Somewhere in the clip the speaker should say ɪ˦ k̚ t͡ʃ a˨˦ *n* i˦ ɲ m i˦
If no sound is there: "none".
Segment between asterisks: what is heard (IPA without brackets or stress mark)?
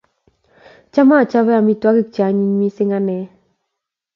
ɲ